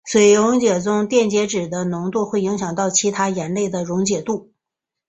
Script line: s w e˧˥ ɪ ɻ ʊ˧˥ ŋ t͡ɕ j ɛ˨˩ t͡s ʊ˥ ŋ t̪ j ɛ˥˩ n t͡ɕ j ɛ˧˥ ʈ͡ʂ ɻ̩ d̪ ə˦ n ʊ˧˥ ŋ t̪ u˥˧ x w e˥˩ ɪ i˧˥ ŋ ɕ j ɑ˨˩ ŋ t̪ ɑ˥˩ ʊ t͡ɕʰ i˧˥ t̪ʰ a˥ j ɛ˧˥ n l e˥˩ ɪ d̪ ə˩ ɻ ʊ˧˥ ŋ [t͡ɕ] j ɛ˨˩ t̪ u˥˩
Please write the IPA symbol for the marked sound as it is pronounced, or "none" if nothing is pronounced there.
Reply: t͡ɕ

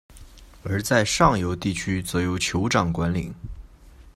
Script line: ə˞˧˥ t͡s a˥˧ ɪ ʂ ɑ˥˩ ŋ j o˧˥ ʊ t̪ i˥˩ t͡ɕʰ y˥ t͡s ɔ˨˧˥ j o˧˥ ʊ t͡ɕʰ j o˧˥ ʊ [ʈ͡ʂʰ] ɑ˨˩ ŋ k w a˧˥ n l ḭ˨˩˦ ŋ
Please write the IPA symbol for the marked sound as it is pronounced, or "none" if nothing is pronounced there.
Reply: ʈ͡ʂ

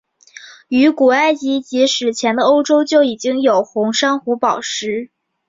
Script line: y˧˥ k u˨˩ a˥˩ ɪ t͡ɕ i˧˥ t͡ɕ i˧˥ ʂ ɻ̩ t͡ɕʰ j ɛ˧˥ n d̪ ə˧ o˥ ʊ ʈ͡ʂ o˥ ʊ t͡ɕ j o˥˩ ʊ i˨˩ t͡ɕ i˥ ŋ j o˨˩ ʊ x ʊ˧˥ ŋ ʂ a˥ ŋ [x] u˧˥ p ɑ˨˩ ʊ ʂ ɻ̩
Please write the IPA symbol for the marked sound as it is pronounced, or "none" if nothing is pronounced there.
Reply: x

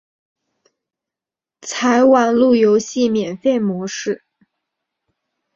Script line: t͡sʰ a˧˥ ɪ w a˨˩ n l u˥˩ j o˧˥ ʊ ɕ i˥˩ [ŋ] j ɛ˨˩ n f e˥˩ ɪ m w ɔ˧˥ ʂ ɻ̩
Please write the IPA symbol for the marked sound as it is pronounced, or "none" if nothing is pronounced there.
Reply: m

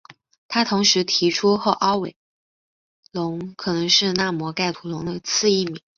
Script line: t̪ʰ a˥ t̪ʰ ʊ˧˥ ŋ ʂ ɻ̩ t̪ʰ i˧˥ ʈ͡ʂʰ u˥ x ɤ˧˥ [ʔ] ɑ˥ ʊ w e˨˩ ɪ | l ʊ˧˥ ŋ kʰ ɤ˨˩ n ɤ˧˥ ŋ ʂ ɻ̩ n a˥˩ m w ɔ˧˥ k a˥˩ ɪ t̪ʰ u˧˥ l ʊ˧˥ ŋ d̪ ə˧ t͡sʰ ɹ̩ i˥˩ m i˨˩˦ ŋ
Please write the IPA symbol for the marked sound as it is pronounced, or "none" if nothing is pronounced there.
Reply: ʔ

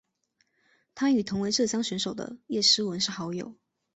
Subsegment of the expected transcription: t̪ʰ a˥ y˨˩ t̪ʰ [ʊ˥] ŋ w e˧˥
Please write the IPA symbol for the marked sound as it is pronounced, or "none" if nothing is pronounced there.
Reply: ʊ˧˥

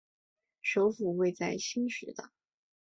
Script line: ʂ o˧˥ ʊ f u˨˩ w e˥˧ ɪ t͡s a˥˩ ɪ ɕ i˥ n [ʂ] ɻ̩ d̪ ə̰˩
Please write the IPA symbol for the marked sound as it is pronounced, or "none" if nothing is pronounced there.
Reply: ʂ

